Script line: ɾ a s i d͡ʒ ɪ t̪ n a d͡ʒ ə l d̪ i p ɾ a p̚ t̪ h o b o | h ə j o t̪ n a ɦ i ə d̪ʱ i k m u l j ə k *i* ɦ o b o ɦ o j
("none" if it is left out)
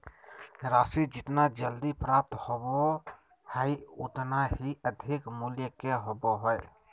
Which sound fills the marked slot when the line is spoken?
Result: e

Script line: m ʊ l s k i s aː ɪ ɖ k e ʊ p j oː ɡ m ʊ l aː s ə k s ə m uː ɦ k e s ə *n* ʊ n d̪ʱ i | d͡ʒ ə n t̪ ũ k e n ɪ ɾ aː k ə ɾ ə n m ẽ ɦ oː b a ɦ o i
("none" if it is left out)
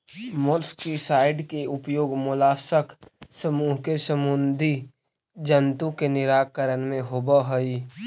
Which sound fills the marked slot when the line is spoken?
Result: m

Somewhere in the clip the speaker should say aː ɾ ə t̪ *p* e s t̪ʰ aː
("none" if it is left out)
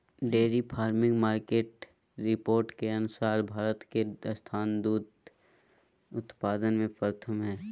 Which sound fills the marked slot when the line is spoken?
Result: k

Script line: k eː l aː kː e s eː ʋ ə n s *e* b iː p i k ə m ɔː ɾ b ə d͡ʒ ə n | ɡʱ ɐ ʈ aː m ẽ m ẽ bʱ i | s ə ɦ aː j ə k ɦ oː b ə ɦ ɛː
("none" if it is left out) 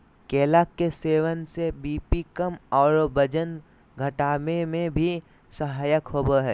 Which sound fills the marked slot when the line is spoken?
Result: e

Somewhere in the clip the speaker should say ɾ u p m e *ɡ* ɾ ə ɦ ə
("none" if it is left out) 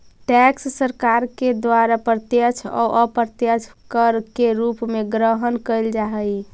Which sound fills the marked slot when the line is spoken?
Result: ɡ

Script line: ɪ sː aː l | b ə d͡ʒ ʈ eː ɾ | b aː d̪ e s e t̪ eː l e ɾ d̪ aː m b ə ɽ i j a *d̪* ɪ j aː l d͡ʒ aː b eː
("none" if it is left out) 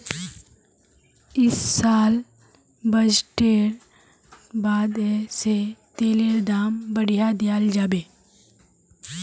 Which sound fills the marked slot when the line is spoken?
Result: d̪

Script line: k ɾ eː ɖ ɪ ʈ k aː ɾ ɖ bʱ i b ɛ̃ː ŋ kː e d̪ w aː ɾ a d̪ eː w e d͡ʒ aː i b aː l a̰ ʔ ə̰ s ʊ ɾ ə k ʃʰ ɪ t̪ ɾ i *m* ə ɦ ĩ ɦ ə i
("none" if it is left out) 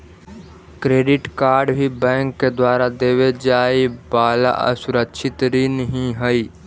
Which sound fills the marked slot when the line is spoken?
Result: n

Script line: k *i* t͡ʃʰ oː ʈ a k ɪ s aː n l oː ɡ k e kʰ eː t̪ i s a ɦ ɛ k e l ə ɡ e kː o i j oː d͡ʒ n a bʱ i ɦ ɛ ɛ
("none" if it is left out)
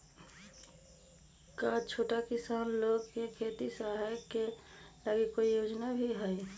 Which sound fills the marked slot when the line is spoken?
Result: a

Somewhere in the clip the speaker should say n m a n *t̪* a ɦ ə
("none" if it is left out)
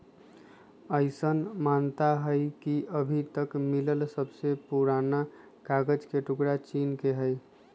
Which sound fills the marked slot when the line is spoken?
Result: t̪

